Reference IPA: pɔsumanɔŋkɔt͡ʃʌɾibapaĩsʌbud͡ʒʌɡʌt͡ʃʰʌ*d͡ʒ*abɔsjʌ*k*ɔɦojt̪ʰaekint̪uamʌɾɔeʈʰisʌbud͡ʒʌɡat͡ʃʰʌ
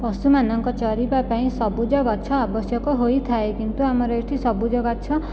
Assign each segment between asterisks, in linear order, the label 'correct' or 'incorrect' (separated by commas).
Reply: incorrect, correct